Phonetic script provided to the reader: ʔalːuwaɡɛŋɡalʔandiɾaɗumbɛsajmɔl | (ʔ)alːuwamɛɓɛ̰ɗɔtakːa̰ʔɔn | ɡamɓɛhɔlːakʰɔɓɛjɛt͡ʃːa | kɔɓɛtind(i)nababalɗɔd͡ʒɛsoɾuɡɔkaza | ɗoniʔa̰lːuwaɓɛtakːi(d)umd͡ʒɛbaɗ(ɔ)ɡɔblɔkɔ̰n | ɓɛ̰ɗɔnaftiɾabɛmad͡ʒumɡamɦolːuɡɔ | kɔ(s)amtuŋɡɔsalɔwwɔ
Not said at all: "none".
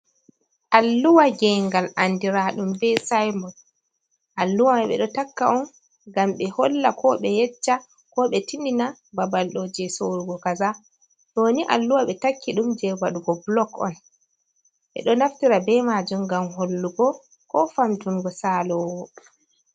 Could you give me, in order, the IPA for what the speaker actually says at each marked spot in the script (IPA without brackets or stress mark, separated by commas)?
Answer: ʔ, i, ɗ, u, f